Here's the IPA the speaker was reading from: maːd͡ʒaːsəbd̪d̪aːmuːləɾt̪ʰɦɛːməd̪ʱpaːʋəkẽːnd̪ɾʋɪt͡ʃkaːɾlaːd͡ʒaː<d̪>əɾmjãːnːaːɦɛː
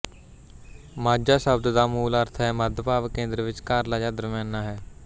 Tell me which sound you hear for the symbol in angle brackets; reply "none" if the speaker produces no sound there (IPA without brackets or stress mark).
d̪